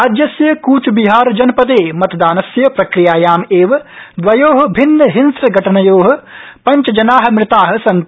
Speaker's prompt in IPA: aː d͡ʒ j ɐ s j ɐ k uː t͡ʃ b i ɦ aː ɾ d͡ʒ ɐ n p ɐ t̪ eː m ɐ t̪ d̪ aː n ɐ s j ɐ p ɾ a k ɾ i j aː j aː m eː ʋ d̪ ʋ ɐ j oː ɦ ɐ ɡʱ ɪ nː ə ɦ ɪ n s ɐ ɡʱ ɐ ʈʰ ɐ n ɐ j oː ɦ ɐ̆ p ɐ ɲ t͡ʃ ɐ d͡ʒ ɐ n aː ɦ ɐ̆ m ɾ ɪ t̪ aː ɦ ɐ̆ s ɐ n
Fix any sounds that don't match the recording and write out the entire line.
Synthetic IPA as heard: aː d͡ʒ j ɐ s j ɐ k uː t͡ʃ b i ɦ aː ɾ d͡ʒ ɐ n p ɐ d̪ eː m ɐ t̪ d̪ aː n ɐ s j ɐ p ɾ ɐ k ɾ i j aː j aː m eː ʋ d̪ ʋ ɐ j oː ɦ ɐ bʱ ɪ nː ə ɦ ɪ n s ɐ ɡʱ ɐ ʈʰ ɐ n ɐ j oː ɦ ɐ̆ p ɐ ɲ t͡ʃ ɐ d͡ʒ ɐ n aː ɦ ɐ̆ m ɾ ɪ t̪ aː ɦ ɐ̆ s ɐ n